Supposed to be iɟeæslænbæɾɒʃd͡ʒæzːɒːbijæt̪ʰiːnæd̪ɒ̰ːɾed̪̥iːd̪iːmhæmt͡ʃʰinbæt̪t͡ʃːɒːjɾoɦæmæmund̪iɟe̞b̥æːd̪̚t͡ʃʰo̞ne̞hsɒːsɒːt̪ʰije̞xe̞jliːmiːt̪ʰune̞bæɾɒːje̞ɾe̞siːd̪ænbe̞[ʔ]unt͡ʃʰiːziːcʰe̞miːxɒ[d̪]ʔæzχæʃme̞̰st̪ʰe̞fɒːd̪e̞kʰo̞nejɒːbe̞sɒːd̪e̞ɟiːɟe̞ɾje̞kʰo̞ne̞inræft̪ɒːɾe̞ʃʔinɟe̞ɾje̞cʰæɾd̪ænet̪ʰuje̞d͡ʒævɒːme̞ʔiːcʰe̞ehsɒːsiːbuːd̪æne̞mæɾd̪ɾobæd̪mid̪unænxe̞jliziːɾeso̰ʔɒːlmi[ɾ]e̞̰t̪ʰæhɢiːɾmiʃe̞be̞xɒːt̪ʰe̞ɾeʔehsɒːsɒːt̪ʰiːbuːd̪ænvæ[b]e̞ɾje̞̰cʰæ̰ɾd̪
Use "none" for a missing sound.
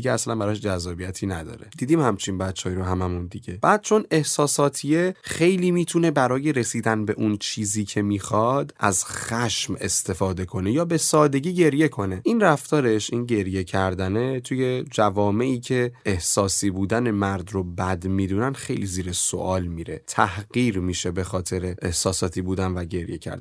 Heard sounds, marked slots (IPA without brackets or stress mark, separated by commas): ʔ, d̪, ɾ, ɟ